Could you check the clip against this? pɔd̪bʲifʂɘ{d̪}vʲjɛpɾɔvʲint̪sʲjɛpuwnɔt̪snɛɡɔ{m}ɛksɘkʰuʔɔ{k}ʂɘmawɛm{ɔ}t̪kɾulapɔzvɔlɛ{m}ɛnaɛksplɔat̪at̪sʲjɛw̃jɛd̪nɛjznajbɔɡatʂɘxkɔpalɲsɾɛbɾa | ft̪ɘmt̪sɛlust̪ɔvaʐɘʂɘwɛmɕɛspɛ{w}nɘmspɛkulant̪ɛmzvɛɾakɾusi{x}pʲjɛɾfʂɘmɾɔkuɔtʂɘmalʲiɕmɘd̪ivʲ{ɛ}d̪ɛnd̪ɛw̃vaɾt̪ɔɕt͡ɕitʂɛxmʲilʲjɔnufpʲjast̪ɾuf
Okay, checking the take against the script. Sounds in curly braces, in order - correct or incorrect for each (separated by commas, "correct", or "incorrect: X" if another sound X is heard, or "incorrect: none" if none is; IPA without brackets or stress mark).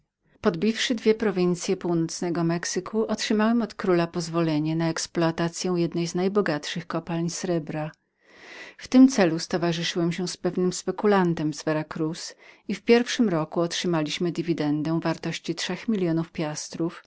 correct, correct, incorrect: t, correct, incorrect: ɲ, incorrect: v, incorrect: f, incorrect: i